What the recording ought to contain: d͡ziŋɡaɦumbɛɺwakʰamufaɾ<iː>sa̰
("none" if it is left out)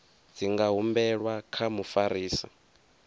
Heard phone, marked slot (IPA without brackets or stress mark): iː